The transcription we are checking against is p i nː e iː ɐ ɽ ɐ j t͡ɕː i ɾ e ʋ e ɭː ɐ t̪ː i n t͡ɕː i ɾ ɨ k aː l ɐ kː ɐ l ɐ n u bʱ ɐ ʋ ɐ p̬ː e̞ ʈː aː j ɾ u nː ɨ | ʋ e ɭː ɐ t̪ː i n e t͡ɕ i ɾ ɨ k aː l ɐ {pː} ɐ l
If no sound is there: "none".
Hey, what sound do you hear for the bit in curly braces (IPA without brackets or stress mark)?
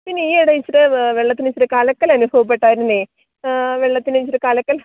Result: kː